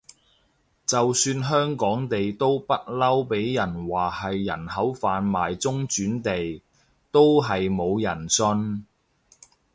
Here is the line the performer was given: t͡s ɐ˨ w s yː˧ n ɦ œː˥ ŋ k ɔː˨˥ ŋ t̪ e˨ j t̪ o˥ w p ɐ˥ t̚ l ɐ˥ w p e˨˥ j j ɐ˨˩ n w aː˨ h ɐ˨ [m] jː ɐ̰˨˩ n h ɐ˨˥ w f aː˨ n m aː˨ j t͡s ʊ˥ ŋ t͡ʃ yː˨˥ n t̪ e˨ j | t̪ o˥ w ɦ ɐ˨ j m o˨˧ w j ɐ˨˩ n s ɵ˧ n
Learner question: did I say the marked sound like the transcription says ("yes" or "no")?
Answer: no